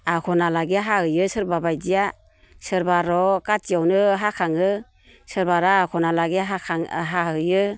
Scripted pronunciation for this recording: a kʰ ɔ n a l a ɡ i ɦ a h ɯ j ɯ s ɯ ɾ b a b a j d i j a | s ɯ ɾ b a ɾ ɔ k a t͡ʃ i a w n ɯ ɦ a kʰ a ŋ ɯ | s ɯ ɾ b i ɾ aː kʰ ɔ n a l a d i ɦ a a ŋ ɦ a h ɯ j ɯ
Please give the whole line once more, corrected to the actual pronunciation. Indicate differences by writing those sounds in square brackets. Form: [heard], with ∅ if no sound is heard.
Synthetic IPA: a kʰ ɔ n a l a ɡ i ɦ a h ɯ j ɯ s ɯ ɾ b a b a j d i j a | s ɯ ɾ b a ɾ ɔ k a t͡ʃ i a w n ɯ ɦ a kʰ a ŋ ɯ | s ɯ ɾ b [a] ɾ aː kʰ ɔ n a l a [ɡ] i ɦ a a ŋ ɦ a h ɯ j ɯ